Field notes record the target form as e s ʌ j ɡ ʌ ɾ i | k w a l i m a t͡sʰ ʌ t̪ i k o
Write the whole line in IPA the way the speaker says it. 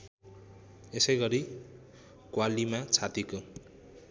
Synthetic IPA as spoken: e s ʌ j ɡ ʌ ɾ i | k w a l i m a t͡sʰ a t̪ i k o